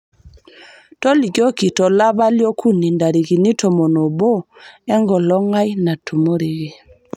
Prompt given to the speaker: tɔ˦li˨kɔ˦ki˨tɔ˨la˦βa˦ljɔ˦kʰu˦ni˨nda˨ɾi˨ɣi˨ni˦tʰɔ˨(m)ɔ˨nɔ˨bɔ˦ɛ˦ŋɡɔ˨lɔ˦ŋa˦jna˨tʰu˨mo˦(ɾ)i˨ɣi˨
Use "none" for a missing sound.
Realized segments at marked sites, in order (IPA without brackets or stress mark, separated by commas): m, ɾ